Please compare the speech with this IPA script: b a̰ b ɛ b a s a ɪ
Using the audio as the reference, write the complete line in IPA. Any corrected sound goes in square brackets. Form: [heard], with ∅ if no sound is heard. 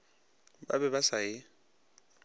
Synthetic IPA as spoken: b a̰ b ɛ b a s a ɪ